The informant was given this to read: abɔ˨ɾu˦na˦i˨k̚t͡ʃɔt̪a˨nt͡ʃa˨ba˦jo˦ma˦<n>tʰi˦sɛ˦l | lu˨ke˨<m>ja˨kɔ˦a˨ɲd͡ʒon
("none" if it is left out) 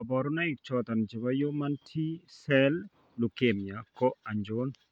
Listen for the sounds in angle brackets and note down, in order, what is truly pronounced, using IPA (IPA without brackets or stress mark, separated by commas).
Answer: n, m